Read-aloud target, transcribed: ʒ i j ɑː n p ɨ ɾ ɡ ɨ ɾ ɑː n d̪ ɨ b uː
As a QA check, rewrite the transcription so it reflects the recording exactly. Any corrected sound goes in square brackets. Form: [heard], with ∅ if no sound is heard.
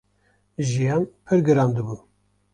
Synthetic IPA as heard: ʒ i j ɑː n [pʰ] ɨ ɾ ɡ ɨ ɾ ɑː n d̪ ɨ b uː